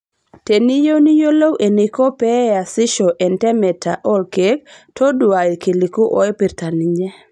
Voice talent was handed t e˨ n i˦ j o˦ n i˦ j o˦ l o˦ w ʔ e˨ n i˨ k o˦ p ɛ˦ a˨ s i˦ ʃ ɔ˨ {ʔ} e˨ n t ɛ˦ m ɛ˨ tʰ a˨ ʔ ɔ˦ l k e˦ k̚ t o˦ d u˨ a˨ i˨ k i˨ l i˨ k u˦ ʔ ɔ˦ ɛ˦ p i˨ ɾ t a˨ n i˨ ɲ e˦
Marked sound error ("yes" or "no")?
no